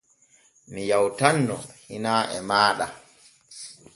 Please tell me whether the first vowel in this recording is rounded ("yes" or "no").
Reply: no